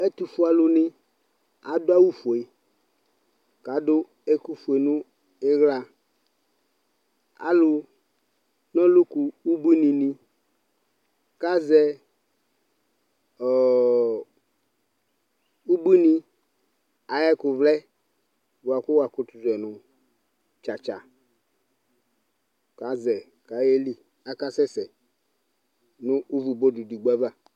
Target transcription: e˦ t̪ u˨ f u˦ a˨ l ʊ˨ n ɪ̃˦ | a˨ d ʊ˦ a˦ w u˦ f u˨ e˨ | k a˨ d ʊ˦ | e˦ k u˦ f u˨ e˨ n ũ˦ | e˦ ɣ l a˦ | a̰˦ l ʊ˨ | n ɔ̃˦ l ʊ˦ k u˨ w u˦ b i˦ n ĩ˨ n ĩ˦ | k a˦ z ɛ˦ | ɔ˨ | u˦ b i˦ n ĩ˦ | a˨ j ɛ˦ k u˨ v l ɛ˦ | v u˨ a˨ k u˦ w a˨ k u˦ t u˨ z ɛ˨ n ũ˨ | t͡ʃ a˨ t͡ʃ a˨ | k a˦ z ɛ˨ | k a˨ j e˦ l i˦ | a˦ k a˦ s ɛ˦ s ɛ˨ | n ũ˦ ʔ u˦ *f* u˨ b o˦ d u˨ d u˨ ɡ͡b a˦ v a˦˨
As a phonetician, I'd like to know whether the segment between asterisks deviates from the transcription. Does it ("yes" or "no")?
yes